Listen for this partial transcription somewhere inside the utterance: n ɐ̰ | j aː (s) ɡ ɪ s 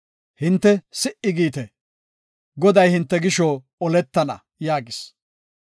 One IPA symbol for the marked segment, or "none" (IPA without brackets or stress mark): none